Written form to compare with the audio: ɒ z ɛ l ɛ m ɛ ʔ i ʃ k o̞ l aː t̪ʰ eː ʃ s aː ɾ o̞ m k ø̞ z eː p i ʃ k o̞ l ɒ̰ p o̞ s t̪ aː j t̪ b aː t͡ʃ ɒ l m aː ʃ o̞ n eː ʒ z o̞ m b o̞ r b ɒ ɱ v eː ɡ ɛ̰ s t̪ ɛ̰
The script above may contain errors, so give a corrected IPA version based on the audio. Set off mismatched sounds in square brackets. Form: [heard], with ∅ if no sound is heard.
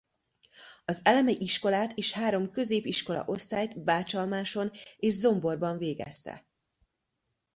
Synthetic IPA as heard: ɒ z ɛ l ɛ m ɛ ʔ i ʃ k o̞ l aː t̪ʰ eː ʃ [h] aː ɾ o̞ m k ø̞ z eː p i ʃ k o̞ l ɒ̰ [ʔ] o̞ s t̪ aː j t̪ b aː t͡ʃ ɒ l m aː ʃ o̞ n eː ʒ z o̞ m b o̞ r b ɒ ɱ v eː ɡ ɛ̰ s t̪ ɛ̰